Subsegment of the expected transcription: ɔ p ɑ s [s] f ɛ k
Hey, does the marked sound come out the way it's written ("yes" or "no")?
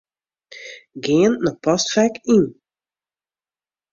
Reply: no